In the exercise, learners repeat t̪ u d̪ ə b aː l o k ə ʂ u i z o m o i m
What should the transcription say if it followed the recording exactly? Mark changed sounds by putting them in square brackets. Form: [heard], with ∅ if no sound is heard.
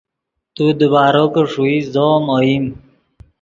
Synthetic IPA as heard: t̪ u d̪ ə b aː [ɾ] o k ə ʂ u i z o m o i m